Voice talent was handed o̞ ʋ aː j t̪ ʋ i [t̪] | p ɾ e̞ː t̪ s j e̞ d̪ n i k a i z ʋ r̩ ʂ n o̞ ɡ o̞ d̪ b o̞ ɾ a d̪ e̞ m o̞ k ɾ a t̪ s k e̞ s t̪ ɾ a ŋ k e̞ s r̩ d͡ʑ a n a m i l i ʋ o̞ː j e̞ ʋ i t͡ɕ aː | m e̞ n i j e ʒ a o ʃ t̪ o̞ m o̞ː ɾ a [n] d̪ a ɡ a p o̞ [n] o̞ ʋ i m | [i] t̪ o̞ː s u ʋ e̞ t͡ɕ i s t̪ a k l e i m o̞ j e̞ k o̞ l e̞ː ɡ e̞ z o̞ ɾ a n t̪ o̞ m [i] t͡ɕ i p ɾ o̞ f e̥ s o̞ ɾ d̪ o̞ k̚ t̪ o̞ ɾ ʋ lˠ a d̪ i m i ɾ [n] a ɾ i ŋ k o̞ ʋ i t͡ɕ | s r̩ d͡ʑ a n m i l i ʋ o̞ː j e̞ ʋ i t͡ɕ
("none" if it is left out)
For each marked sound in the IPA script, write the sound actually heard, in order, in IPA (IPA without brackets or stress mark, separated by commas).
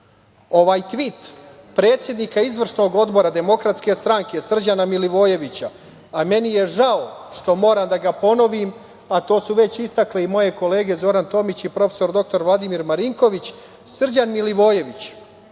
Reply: t̪, m, n, a, i, m